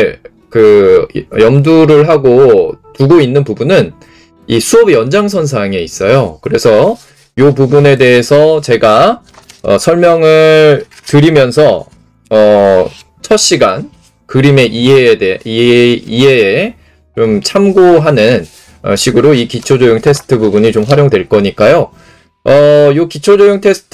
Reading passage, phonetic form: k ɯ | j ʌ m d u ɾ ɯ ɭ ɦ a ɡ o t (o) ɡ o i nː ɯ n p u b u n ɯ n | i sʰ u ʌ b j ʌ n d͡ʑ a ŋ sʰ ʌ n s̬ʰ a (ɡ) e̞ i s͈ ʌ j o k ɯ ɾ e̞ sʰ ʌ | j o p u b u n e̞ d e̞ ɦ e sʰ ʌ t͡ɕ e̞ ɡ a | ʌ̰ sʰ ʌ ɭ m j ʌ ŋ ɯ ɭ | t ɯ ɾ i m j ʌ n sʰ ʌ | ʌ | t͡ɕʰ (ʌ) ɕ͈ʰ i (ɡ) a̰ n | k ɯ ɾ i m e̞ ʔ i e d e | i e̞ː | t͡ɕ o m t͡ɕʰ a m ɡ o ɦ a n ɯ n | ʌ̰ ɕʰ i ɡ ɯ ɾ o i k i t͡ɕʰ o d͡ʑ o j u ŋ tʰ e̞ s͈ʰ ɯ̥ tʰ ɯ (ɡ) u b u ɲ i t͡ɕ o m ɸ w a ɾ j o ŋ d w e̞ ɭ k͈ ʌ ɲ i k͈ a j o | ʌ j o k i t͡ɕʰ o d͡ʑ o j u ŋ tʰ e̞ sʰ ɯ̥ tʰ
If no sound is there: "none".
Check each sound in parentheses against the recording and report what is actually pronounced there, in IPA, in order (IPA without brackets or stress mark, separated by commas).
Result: u, ŋ, ʌ, ɡ, b